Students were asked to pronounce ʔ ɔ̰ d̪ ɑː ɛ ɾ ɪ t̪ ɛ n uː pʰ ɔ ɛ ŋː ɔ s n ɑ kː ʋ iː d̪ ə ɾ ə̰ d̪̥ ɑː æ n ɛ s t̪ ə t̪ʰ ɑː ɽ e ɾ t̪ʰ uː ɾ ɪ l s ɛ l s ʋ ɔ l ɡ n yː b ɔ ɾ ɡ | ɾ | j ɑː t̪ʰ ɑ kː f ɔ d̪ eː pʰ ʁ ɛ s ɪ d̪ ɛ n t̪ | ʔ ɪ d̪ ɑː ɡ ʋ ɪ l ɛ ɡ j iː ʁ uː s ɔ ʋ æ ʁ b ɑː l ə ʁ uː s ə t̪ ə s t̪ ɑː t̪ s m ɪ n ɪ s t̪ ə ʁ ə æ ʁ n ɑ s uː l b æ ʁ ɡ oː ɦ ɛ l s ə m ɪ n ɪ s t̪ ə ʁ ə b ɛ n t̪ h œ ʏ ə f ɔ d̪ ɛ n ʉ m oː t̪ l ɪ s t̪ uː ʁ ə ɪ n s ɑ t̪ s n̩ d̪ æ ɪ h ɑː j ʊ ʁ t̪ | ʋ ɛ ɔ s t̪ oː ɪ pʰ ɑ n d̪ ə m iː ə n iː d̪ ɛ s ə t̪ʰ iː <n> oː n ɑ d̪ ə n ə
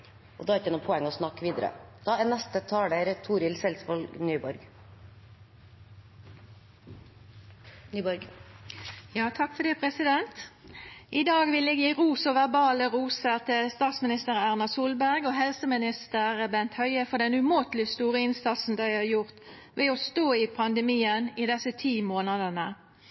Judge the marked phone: incorrect: m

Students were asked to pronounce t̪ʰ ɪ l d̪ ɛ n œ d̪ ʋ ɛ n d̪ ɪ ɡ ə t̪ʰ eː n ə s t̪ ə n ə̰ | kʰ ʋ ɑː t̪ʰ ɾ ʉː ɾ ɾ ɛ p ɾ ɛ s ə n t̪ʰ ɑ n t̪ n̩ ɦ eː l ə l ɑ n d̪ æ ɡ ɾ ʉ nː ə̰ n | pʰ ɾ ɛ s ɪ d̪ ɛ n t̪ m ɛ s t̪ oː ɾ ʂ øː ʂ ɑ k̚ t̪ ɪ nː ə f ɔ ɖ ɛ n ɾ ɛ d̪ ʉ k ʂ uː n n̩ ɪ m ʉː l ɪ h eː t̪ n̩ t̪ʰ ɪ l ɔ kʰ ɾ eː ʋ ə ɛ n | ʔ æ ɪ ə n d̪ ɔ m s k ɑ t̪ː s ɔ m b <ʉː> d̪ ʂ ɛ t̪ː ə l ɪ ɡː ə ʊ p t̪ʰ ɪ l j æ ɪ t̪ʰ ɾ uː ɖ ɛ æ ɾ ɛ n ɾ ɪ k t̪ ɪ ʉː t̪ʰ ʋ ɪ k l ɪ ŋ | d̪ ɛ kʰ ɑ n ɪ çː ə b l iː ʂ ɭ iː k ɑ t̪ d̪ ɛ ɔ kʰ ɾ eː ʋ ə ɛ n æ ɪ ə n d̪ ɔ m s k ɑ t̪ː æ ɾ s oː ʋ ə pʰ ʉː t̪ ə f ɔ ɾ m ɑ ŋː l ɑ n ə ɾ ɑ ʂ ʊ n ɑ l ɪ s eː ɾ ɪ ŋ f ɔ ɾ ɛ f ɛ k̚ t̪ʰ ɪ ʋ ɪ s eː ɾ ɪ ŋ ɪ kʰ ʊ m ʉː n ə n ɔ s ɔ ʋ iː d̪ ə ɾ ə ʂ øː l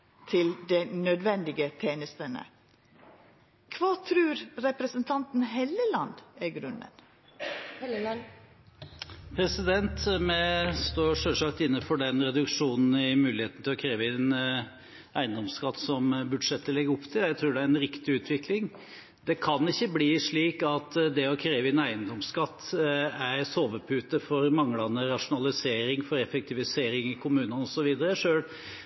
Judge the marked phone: incorrect: ʉ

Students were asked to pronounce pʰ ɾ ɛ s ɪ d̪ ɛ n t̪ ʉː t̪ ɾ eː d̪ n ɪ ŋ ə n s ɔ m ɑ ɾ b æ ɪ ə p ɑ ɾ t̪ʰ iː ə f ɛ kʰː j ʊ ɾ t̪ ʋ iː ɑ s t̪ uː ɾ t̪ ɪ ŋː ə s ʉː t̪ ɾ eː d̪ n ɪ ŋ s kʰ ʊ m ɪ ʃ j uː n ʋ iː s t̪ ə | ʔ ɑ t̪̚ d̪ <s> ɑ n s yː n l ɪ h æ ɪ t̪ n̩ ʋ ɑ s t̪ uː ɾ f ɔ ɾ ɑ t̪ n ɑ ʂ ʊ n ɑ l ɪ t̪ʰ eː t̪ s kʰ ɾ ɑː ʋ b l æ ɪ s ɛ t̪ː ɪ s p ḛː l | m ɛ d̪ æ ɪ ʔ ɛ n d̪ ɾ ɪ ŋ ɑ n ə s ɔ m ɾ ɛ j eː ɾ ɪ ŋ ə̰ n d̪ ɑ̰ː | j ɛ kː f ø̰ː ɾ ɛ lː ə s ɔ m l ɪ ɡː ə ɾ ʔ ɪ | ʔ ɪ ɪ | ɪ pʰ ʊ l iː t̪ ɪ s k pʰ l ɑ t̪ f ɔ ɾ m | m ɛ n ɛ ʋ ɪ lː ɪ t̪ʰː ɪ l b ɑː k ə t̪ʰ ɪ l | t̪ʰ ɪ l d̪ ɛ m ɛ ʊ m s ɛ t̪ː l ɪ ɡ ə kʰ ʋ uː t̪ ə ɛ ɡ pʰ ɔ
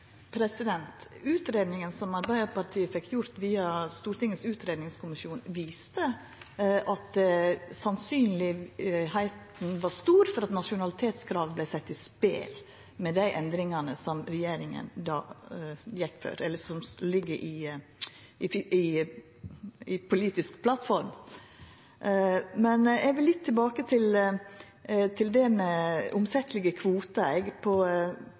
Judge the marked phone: correct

